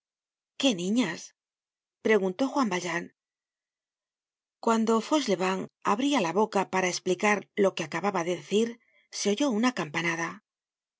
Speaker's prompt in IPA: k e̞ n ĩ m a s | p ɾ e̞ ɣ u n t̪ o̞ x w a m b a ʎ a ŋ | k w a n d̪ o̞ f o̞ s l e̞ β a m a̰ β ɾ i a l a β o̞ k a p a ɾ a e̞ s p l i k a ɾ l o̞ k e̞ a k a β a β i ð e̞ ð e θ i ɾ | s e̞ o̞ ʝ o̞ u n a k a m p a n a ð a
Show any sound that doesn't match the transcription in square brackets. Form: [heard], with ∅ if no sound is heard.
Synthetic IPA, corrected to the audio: k e̞ n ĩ [ɲ] a s | p ɾ e̞ ɣ u n t̪ o̞ x w a m b a ʎ a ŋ | k w a n d̪ o̞ f o̞ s l e̞ β a [ŋ] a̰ β ɾ i a l a β o̞ k a p a ɾ a e̞ s p l i k a ɾ l o̞ k e̞ a k a β a β [a] ð e̞ ð e θ i ɾ | s e̞ o̞ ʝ o̞ u n a k a m p a n a ð a

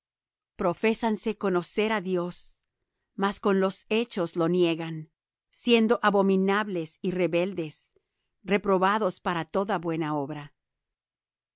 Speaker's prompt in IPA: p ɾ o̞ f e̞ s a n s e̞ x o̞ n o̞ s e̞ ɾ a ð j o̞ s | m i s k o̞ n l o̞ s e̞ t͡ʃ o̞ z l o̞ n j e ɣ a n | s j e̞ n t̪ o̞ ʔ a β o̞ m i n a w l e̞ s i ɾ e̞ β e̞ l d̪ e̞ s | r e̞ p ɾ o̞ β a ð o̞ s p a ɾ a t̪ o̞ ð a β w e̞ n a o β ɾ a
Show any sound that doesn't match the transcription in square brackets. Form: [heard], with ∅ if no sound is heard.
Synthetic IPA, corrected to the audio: p ɾ o̞ f e̞ s a n s e̞ [k] o̞ n o̞ s e̞ ɾ a ð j o̞ s | m [a] s k o̞ n l o̞ s e̞ t͡ʃ o̞ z l o̞ n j e ɣ a n | s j e̞ n [d̪] o̞ ʔ a β o̞ m i n a [β] l e̞ s i [r] e̞ β e̞ l d̪ e̞ s | r e̞ p ɾ o̞ β a ð o̞ s p a ɾ a t̪ o̞ ð a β w e̞ n a o β ɾ a

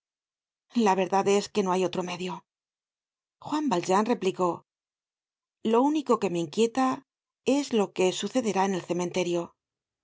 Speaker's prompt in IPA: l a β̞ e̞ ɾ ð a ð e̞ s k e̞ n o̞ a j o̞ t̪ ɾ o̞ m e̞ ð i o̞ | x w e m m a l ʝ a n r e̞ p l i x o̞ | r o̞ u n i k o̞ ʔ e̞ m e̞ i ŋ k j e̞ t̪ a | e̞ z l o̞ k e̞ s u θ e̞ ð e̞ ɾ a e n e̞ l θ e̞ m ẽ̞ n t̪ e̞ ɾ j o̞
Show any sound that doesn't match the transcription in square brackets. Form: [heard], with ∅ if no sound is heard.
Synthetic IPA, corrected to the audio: l a β̞ e̞ ɾ ð a ð e̞ s k e̞ n o̞ a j o̞ t̪ ɾ o̞ m e̞ ð [j] o̞ | x w [a] m [b] a l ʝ a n r e̞ p l i [k] o̞ | [l] o̞ u n i k o̞ [k] e̞ m e̞ i ŋ k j e̞ t̪ a | e̞ z l o̞ k e̞ s u θ e̞ ð e̞ ɾ a e n e̞ l θ e̞ m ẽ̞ n t̪ e̞ ɾ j o̞

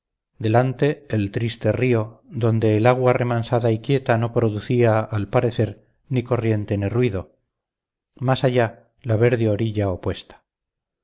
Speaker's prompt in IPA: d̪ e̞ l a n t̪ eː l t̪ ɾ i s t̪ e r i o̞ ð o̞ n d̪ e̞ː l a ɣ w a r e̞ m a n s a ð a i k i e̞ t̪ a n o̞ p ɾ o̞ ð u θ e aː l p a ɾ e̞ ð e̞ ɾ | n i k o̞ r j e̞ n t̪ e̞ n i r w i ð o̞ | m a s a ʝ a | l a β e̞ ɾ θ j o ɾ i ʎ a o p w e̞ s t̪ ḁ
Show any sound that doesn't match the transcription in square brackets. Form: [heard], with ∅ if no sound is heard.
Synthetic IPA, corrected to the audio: d̪ e̞ l a n t̪ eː l t̪ ɾ i s t̪ e r i o̞ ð o̞ n d̪ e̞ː l a ɣ w a r e̞ m a n s a ð a i k [j] e̞ t̪ a n o̞ p ɾ o̞ ð u θ [i] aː l p a ɾ e̞ [θ] e̞ ɾ | n i k o̞ r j e̞ n t̪ e̞ n i r w i ð o̞ | m a s a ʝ a | l a β e̞ ɾ [ð] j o ɾ i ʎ a o p w e̞ s t̪ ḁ

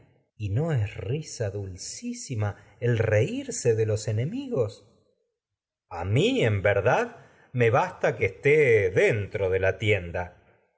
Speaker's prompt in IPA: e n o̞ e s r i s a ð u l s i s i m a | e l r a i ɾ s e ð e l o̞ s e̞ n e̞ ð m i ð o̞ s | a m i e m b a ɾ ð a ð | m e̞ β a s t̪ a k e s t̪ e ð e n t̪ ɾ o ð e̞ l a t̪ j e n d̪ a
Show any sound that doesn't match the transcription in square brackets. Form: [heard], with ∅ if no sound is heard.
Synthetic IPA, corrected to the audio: [i] n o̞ e s r i s a ð u l s i s i m a | e l r [e] i ɾ s e ð e l o̞ s e̞ n e̞ [∅] m i [ɣ] o̞ s | a m i e m b [e] ɾ ð a ð | m e̞ β a s t̪ a k e s t̪ e ð e n t̪ ɾ o ð e̞ l a t̪ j e n d̪ a

